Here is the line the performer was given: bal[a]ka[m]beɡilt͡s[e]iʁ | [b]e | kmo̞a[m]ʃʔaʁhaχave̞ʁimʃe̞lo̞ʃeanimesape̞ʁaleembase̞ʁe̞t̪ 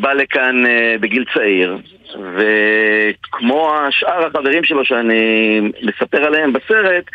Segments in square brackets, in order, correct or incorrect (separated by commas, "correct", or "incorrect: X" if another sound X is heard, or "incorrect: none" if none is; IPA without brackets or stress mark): incorrect: e, incorrect: n, incorrect: a, incorrect: v, incorrect: none